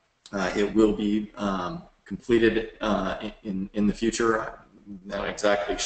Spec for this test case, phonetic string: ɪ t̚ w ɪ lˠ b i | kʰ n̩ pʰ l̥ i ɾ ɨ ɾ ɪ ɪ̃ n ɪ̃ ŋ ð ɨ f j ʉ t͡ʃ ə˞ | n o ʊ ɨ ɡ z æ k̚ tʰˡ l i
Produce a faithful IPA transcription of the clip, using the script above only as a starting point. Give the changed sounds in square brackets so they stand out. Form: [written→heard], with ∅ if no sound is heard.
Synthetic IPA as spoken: ɪ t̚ w ɪ lˠ b i | kʰ [n̩→m̩] pʰ l̥ i ɾ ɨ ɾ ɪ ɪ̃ n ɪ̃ [ŋ→n] ð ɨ f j ʉ t͡ʃ ə˞ | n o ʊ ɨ ɡ z æ k̚ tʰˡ l i

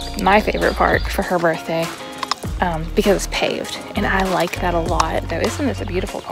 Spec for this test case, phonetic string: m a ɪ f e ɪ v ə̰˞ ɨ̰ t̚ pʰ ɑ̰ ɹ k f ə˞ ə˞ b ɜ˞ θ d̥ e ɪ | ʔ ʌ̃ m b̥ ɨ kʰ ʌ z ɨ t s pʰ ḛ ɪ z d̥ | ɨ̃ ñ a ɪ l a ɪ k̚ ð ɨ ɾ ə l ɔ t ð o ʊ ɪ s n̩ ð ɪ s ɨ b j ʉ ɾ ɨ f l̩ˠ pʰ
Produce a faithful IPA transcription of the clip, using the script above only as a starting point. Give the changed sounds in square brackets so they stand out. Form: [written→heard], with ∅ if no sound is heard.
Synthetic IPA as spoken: m a ɪ f e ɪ v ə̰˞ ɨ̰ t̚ pʰ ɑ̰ ɹ k f ə˞ ə˞ b ɜ˞ θ d̥ e ɪ | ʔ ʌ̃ m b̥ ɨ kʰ ʌ z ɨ t s pʰ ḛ ɪ [z→v] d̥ | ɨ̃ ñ a ɪ l a ɪ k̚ ð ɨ ɾ ə l ɔ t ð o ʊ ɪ s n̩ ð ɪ s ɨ b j ʉ ɾ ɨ f l̩ˠ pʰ

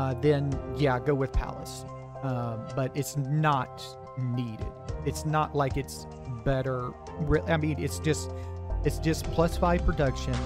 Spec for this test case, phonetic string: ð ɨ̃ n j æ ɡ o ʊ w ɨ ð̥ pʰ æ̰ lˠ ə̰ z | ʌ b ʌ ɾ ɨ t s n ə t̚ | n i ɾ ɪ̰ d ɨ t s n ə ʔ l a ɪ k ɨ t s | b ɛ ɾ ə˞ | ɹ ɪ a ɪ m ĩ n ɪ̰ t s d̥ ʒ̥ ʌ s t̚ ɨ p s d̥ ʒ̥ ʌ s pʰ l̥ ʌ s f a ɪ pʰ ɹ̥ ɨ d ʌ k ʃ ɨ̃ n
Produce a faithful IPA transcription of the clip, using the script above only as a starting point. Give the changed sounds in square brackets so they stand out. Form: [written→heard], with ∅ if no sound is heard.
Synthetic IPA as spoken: ð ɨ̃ n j æ ɡ o ʊ w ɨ ð̥ pʰ æ̰ lˠ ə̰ [z→s] | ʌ b ʌ ɾ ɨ t s n ə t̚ | n i ɾ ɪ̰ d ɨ t s n ə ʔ l a ɪ k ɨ t s | b ɛ ɾ ə˞ | ɹ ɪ a ɪ m ĩ n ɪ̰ t s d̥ ʒ̥ ʌ s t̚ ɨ [p→t] s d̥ ʒ̥ ʌ s pʰ l̥ ʌ s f a ɪ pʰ ɹ̥ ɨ d ʌ k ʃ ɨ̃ n

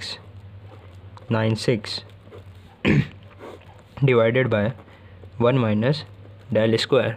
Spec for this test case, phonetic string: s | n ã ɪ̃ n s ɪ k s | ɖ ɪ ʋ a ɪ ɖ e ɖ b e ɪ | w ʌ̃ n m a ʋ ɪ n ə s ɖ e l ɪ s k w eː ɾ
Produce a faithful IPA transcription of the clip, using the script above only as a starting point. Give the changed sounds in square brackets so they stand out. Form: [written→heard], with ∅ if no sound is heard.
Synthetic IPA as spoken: s | n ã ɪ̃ n s ɪ k s | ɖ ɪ ʋ a ɪ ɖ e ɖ b [e→a] ɪ | [w→ʋ] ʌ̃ n m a [ʋ→∅] ɪ n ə s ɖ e l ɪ s k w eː ɾ

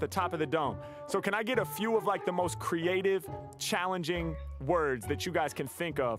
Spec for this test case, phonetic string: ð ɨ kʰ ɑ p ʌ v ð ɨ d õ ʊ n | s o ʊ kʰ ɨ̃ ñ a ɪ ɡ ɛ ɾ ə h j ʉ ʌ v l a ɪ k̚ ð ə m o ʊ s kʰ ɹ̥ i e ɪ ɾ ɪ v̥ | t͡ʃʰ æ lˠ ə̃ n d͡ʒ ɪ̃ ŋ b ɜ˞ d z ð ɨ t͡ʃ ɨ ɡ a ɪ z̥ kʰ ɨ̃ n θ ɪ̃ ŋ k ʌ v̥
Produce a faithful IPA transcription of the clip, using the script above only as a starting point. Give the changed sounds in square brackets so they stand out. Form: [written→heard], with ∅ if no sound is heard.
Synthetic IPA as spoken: ð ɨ [kʰ→tʰ] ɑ p ʌ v ð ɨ d õ [ʊ→ʊ̃] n | s o ʊ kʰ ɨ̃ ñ a ɪ ɡ ɛ ɾ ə [h→f] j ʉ ʌ v l a ɪ k̚ ð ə m o ʊ s kʰ ɹ̥ i e ɪ ɾ ɪ v̥ | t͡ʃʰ æ lˠ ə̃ n d͡ʒ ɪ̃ ŋ [b→w] ɜ˞ d z ð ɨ t͡ʃ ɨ ɡ a ɪ z̥ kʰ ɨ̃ n θ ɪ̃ ŋ k ʌ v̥

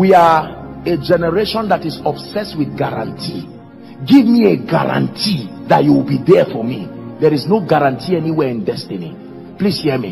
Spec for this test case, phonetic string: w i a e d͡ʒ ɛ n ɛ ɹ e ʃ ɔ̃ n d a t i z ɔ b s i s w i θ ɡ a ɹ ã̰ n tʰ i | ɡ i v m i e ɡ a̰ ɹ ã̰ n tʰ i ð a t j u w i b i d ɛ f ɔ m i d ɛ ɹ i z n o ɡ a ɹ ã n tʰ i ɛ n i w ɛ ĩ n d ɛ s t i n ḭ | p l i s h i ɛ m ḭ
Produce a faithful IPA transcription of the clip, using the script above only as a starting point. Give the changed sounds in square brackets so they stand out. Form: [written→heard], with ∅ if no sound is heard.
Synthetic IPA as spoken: w i a e d͡ʒ ɛ n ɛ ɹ e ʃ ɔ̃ n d a t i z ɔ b s [i→ɛ] s w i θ ɡ a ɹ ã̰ n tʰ i | ɡ i v m i e ɡ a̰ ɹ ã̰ n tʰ i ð a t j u w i b i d ɛ f ɔ m i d ɛ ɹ i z n o ɡ a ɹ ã n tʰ i ɛ n i w ɛ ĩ n d ɛ s t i n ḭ | p l i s h i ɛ m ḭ

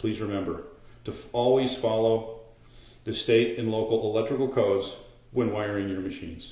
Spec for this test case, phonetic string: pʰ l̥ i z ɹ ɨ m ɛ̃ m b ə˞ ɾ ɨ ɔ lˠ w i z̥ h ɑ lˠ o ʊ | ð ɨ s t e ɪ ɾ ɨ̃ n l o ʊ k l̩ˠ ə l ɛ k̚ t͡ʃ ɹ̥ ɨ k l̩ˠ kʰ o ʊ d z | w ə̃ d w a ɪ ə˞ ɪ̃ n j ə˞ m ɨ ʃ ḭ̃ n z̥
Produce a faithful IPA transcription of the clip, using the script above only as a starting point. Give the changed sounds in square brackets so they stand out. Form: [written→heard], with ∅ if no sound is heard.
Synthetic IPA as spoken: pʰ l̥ i z ɹ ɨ m ɛ̃ m b ə˞ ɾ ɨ ɔ lˠ w i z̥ [h→f] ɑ lˠ o ʊ | ð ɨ s t e ɪ ɾ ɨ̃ n l o ʊ k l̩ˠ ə l ɛ k̚ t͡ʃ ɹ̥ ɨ k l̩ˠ kʰ o ʊ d z | w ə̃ [d→n] w a ɪ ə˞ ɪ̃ [n→ŋ] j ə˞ m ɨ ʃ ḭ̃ n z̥

